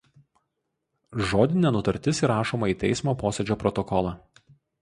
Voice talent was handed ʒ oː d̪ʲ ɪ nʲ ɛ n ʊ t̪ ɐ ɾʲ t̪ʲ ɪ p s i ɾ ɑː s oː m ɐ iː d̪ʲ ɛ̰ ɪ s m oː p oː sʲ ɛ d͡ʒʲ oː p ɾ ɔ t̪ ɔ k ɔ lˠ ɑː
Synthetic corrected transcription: ʒ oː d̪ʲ ɪ nʲ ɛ n ʊ t̪ ɐ ɾʲ t̪ʲ ɪ s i ɾ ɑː ʃ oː m ɐ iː t̪ʲ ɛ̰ ɪ s m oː p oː sʲ ɛ d͡ʒʲ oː p ɾ ɔ t̪ ɔ k ɔ lˠ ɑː